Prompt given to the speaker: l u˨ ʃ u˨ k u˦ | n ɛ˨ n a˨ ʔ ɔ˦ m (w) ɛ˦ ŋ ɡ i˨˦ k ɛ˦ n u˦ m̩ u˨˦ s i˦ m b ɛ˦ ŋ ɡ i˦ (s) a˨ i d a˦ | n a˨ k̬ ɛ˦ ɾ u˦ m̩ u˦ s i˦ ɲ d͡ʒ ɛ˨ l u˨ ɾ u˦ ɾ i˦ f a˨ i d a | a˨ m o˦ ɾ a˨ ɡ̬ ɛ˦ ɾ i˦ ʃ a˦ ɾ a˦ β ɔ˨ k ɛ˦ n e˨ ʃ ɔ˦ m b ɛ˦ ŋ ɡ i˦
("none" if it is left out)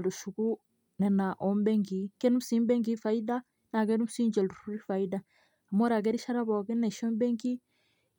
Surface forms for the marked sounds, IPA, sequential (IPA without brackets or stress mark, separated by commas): b, f